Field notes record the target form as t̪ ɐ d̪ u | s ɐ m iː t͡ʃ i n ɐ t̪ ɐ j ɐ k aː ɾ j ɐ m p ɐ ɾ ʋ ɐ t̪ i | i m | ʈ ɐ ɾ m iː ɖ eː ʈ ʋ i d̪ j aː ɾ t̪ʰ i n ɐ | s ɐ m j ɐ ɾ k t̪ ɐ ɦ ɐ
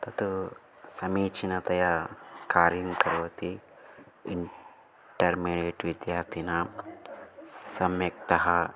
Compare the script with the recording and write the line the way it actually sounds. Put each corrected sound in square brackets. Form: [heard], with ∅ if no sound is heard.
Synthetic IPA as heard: t̪ ɐ [t̪] u | s ɐ m iː t͡ʃ i n ɐ t̪ ɐ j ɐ k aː ɾ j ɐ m [k] ɐ ɾ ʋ ɐ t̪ i | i [ɳ] | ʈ ɐ ɾ m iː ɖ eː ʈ ʋ i d̪ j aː ɾ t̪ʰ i n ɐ | s ɐ m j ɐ [∅] k t̪ ɐ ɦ ɐ